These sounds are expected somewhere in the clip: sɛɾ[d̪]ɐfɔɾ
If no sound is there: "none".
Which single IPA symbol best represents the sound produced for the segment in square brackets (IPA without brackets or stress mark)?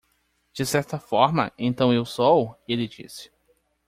t̪